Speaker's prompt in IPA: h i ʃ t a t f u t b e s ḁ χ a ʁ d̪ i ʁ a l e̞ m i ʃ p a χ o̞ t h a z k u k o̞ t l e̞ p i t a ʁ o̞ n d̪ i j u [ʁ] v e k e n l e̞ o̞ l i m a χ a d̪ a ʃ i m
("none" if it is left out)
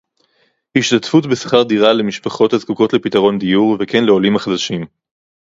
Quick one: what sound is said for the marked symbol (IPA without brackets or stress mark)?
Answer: ʁ